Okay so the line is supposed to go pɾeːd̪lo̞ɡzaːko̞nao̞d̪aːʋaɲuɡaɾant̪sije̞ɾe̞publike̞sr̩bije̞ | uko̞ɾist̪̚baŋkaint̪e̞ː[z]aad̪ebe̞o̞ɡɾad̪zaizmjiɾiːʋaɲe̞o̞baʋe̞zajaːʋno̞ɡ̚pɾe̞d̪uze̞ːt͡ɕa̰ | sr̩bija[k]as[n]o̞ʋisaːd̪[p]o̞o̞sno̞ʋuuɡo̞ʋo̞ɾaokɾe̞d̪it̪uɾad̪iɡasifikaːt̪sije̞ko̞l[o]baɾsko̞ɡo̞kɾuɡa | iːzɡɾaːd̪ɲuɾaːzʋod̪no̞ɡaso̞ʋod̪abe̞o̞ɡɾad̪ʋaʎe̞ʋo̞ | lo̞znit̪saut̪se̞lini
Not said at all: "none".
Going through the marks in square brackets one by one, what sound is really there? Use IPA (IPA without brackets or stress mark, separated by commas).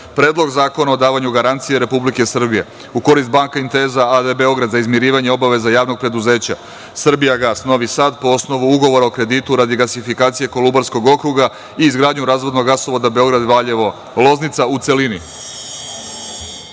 z, ɡ, n, p, u